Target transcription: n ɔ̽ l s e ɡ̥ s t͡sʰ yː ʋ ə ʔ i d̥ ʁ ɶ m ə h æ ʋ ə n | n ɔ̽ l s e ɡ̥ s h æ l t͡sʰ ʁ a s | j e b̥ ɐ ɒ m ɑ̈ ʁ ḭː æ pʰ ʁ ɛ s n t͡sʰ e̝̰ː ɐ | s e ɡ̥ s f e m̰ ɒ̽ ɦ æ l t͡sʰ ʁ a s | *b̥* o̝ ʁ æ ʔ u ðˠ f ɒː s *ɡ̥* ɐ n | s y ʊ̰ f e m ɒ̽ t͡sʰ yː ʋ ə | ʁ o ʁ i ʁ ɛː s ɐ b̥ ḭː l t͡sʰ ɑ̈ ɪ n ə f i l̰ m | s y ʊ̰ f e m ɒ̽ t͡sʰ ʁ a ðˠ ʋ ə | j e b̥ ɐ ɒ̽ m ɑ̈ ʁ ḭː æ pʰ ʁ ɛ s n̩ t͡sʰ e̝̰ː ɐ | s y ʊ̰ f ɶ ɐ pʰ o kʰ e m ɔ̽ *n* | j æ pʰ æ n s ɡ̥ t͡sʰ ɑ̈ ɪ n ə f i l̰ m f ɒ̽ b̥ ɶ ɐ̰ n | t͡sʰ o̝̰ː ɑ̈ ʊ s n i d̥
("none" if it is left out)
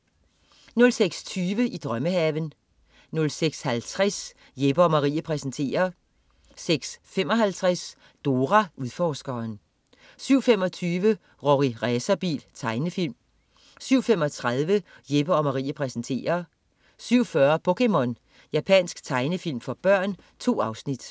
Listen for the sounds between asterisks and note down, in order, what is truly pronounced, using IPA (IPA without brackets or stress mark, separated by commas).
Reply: d̥, ɡ̥, n